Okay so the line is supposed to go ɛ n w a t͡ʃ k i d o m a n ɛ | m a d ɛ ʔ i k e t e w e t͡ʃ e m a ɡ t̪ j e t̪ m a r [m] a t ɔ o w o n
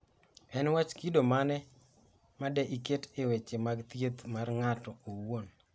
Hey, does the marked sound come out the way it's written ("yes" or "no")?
no